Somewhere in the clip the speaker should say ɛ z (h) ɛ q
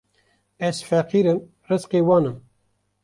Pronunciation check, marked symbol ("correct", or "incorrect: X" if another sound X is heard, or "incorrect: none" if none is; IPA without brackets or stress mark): incorrect: f